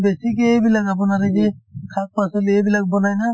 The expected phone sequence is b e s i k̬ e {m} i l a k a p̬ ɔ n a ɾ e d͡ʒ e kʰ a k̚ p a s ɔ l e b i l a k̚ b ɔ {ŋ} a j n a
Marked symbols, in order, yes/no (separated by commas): no, no